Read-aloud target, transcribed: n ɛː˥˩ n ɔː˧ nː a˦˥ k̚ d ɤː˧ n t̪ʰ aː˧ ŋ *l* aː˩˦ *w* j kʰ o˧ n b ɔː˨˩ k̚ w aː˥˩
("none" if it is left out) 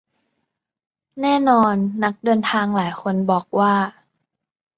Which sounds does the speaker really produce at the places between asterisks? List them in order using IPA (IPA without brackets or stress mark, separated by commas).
l, none